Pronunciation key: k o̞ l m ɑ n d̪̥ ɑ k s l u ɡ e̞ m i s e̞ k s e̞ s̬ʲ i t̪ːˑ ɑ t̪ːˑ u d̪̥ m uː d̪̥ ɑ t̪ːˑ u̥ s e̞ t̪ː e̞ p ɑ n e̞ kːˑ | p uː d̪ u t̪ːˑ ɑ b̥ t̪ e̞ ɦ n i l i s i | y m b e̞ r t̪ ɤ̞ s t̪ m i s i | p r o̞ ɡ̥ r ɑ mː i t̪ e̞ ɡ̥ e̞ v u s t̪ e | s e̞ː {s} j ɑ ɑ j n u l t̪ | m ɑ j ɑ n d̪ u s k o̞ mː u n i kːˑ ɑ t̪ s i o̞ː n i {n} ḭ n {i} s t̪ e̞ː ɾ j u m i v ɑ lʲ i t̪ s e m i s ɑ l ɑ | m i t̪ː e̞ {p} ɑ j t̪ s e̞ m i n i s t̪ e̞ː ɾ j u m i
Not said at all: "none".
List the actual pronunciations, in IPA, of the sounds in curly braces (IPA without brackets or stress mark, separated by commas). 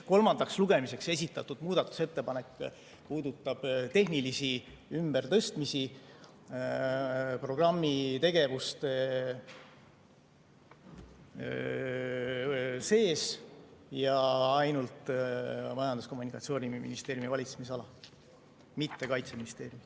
s, m, i, k